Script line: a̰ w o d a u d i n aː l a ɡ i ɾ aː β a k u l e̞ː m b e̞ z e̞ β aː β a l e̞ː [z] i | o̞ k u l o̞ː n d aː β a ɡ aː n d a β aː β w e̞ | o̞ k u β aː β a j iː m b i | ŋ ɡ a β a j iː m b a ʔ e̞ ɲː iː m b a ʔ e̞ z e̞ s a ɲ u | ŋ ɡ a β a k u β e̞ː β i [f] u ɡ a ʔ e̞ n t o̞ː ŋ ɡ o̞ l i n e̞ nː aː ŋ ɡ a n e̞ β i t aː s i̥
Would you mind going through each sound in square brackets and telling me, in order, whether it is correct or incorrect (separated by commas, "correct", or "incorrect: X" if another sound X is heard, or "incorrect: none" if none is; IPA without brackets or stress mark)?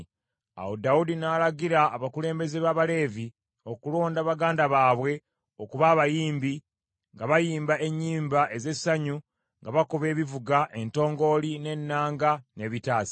incorrect: v, incorrect: v